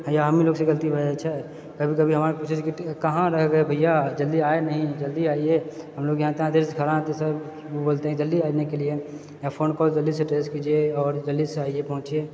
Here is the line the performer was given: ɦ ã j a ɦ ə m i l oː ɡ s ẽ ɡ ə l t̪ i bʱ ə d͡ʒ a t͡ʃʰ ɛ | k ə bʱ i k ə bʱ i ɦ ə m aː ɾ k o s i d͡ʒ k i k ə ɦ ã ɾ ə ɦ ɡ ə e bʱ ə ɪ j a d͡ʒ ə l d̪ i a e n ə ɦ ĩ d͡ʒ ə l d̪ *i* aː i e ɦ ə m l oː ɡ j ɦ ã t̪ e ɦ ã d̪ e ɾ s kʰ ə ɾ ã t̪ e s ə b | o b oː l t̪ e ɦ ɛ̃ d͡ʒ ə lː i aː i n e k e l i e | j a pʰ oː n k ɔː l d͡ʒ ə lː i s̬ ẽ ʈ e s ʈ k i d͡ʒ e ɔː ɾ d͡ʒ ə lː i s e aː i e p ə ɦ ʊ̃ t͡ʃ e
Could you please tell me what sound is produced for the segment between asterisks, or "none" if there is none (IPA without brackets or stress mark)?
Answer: i